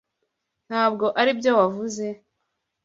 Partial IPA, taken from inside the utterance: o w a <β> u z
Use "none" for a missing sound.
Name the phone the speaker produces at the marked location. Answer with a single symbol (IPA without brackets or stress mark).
v